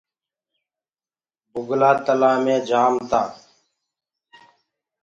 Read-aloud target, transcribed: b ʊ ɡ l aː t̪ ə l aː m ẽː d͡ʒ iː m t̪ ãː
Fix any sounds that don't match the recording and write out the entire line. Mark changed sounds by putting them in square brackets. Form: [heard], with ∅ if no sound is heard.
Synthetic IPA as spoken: b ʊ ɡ l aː t̪ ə l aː m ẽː d͡ʒ [aː] m t̪ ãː